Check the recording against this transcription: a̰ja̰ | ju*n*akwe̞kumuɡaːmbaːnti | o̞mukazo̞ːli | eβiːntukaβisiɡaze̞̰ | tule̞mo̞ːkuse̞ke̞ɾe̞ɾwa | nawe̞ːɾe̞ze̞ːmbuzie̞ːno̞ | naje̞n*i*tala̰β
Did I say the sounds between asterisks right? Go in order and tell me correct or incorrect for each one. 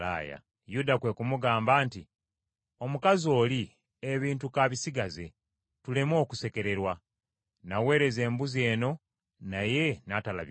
incorrect: d, incorrect: a

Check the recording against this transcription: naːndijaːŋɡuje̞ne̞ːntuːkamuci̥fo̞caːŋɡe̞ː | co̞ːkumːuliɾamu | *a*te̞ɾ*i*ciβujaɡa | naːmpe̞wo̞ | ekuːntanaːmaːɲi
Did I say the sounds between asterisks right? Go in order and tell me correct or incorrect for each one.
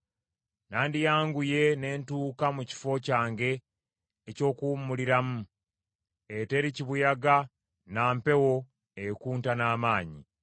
incorrect: e, correct

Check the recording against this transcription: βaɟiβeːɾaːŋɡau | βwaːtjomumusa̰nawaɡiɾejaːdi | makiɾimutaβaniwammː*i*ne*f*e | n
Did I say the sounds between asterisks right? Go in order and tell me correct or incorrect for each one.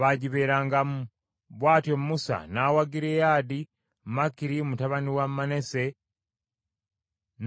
incorrect: a, incorrect: s

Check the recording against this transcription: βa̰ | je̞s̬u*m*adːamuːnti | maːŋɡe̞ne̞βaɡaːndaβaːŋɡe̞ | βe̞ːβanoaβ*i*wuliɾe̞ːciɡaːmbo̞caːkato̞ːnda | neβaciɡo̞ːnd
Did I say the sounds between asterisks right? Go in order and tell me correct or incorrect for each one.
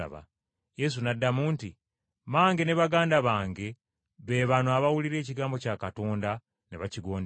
incorrect: n, incorrect: a

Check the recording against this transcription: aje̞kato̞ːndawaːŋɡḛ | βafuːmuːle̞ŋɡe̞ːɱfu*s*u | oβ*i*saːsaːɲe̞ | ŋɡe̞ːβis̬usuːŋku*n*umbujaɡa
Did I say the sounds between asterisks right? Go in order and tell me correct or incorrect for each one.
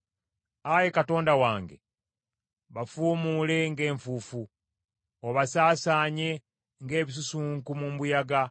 incorrect: f, incorrect: a, incorrect: m

